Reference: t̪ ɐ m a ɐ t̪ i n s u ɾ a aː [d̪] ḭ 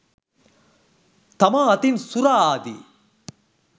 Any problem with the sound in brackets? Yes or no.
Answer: no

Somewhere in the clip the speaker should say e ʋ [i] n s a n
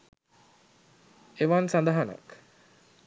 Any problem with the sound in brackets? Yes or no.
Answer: yes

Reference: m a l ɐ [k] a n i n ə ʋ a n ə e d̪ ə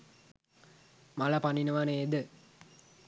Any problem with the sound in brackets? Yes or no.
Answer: yes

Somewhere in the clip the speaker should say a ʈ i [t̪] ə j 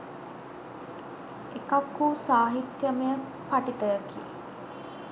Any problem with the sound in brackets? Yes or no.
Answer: no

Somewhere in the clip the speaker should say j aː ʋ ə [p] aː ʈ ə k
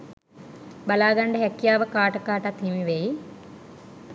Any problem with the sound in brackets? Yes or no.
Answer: yes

